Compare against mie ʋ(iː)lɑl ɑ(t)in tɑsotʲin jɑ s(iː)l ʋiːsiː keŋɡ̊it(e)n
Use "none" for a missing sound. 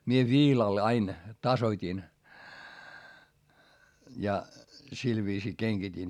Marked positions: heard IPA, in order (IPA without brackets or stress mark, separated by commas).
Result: iː, none, i, i